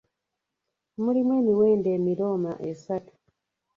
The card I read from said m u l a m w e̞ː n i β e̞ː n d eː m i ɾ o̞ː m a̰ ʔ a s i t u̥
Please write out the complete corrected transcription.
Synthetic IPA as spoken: m u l i m w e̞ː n i w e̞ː n d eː m i ɾ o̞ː m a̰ ʔ e s a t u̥